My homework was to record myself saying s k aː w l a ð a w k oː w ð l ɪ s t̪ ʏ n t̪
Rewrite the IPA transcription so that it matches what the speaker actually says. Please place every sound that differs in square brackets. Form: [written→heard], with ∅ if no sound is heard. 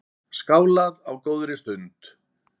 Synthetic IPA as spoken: s k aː w l a ð a w k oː w ð [l→ɾ] ɪ s t̪ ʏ n t̪